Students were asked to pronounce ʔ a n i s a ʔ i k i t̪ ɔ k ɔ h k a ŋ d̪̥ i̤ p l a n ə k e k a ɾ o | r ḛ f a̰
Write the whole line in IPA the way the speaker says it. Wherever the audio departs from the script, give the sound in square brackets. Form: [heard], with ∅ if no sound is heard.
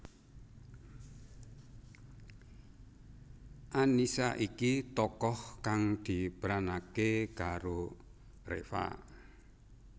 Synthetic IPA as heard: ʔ a n i s a ʔ i k i t̪ ɔ k ɔ h k a ŋ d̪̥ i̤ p [ɾ] a n [a] k e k a ɾ o | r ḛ f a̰